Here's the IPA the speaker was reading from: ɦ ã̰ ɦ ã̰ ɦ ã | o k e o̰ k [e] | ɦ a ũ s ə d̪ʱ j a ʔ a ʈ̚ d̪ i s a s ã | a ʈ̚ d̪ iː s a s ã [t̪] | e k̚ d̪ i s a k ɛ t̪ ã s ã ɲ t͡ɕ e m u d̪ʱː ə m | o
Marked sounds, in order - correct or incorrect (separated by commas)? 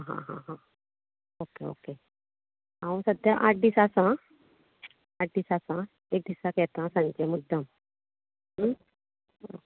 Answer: correct, incorrect